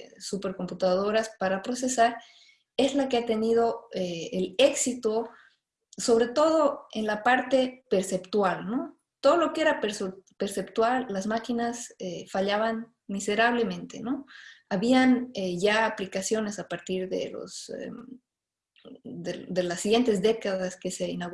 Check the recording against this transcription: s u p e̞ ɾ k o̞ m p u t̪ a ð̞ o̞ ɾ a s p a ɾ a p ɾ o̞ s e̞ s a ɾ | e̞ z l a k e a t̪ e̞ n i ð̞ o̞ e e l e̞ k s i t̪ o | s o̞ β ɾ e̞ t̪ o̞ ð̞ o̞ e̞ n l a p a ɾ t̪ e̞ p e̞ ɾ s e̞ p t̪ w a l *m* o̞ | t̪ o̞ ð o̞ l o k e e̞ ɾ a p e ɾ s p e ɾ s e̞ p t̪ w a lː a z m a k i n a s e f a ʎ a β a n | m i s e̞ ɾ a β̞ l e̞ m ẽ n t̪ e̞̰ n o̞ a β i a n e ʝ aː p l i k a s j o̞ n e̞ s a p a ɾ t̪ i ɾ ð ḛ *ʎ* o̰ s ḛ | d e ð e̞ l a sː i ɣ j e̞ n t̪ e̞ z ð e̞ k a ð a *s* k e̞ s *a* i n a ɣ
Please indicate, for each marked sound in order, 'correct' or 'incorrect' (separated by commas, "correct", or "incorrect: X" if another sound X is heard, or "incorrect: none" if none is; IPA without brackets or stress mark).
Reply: incorrect: n, incorrect: l, correct, incorrect: e